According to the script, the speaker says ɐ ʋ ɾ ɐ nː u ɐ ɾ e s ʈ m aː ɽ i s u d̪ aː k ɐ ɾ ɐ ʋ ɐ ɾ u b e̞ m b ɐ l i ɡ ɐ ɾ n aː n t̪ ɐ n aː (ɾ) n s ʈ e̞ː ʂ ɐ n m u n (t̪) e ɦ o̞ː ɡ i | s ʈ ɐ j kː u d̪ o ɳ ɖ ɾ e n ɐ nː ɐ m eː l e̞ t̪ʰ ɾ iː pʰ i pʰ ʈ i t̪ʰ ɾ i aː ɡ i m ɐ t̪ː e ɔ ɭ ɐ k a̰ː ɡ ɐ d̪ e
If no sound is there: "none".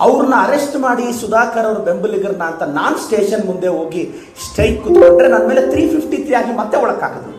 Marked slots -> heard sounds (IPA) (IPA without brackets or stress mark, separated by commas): none, d̪